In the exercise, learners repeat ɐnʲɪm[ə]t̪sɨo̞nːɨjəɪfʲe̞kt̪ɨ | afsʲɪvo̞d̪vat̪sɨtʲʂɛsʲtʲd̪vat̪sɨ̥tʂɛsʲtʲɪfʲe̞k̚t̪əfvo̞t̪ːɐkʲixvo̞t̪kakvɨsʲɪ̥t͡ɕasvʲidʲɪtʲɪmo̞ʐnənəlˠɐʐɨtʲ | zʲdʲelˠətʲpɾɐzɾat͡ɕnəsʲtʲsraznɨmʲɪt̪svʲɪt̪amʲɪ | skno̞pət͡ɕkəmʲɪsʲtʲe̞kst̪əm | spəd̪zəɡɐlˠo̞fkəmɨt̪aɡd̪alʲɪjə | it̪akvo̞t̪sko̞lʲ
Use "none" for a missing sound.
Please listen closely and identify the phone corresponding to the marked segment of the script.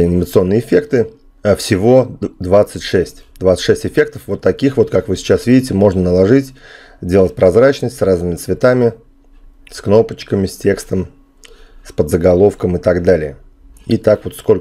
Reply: ə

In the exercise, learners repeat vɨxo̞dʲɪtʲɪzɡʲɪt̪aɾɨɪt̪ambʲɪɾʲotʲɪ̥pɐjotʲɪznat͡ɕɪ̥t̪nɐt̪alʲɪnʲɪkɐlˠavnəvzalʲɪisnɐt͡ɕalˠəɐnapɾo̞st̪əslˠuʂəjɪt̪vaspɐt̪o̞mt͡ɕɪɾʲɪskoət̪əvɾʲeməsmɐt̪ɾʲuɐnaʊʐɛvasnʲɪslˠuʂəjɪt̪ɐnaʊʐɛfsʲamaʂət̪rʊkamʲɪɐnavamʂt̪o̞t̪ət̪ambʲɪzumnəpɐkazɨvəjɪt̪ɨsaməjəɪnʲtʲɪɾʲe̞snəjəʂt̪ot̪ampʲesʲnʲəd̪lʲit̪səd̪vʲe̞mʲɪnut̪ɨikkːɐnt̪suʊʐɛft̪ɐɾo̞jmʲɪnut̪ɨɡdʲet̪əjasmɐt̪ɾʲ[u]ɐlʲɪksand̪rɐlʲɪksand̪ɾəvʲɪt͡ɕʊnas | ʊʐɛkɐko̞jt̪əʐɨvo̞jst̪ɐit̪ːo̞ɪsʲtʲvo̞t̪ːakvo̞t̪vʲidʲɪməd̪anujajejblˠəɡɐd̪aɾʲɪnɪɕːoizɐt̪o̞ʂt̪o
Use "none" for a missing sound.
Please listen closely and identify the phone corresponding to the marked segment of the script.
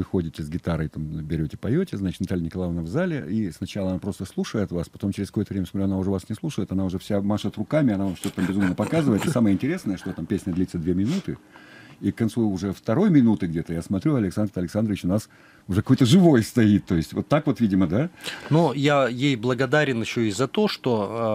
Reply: u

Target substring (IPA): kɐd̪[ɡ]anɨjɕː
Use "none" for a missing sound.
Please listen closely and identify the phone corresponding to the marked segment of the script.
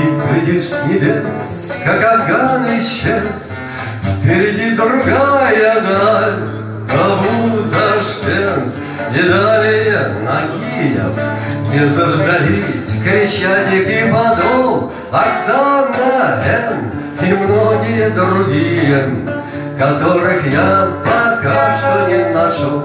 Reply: ɡ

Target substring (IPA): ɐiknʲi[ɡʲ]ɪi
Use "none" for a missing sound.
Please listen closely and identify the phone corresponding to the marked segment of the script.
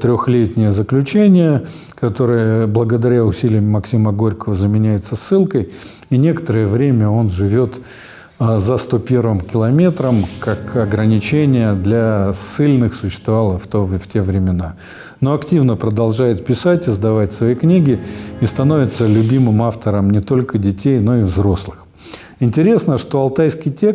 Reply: ɡʲ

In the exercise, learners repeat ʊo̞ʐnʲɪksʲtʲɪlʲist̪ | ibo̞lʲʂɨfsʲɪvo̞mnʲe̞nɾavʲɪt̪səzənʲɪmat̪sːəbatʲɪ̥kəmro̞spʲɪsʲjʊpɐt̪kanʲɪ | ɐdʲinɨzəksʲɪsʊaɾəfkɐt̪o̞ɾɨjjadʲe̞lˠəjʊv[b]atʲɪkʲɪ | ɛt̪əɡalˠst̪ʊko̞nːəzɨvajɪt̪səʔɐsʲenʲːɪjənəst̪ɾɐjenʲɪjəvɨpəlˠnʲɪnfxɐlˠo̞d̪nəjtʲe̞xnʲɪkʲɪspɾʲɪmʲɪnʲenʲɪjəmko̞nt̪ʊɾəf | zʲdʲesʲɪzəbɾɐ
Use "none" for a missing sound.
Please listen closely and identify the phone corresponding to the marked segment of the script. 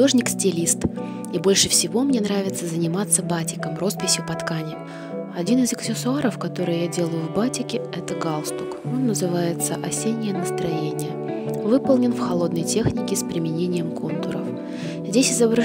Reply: b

